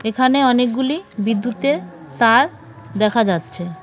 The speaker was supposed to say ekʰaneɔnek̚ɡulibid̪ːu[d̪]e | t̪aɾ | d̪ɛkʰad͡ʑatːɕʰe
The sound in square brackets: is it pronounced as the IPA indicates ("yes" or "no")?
no